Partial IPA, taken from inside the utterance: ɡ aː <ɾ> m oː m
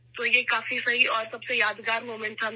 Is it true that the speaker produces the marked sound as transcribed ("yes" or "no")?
yes